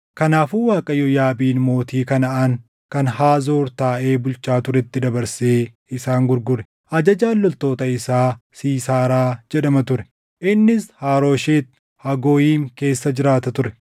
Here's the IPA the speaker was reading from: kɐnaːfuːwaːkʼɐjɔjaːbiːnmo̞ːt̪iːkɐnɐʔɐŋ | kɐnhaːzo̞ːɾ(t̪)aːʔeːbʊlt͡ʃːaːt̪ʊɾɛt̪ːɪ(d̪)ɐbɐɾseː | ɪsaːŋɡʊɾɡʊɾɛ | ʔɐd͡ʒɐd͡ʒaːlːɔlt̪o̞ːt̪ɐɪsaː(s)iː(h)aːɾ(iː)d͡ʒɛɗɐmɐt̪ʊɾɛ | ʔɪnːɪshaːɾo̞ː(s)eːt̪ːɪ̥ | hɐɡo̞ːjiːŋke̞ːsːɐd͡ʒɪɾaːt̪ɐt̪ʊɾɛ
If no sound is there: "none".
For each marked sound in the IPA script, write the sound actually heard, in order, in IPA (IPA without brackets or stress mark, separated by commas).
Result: t̪, d̪, s, s, aː, ʃ